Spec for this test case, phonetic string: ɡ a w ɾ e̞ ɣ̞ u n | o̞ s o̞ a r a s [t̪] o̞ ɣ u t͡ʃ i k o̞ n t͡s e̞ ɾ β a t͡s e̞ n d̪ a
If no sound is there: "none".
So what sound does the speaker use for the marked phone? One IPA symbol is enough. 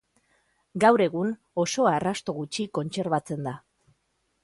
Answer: t̪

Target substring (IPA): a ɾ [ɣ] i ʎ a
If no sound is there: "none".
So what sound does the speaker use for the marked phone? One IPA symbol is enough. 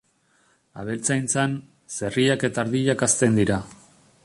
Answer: ð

